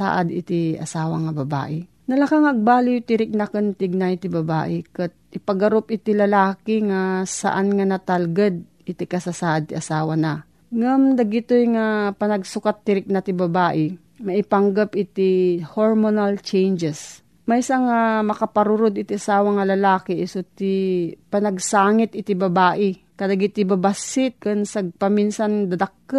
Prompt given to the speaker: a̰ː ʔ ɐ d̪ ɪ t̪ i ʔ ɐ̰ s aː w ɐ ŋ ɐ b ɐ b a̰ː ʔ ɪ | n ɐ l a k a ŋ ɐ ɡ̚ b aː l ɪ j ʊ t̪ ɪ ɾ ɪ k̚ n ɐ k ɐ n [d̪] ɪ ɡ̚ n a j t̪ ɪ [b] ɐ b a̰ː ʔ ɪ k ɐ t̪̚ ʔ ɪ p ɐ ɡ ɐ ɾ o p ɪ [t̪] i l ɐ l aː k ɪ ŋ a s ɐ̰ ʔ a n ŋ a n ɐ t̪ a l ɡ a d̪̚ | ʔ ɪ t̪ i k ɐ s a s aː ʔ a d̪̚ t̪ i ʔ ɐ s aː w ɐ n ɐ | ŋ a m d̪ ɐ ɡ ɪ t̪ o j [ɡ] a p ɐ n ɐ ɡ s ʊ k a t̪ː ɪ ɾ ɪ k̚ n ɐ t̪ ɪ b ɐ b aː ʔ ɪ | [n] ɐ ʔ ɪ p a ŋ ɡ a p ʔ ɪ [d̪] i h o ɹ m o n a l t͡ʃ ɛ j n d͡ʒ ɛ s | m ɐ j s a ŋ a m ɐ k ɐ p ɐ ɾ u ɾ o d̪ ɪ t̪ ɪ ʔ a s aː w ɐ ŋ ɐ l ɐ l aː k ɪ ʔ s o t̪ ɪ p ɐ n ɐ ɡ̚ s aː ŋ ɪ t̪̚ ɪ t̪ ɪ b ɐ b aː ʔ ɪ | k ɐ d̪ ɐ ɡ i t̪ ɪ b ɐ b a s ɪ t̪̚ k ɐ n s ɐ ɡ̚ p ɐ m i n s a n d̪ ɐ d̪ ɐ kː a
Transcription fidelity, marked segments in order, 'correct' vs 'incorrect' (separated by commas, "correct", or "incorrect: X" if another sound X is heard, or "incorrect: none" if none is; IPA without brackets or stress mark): incorrect: t̪, correct, correct, incorrect: ŋ, incorrect: m, incorrect: t̪